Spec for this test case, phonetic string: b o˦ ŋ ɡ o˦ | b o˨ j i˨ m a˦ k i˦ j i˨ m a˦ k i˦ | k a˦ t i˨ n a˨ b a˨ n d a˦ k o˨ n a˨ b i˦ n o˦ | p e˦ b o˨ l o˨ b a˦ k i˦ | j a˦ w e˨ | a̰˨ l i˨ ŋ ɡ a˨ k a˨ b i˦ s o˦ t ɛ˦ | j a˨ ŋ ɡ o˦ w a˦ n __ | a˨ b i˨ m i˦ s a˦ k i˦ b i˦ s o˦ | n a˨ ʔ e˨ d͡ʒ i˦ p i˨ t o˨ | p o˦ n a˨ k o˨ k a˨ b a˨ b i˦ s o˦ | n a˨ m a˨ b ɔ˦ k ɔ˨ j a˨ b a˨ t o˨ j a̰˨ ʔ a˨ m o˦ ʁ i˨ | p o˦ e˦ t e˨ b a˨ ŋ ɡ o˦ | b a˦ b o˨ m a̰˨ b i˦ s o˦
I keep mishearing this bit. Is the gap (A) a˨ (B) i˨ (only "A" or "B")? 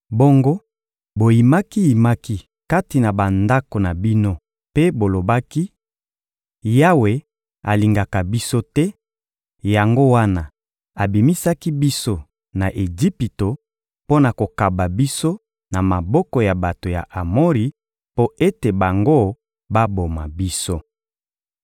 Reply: A